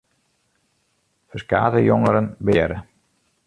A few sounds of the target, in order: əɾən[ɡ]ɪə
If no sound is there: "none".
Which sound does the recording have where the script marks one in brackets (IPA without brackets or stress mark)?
b